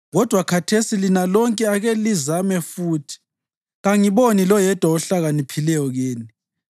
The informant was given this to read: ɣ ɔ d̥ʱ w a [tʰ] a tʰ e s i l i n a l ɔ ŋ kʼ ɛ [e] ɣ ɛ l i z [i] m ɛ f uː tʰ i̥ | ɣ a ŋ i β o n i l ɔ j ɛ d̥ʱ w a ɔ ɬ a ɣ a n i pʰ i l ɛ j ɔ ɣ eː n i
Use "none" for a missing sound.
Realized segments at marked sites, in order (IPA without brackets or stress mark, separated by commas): kʰ, a, a